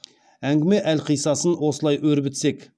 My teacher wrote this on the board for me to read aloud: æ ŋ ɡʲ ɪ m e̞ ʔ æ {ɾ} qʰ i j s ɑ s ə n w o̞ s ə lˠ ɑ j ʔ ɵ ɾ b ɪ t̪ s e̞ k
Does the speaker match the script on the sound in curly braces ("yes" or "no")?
no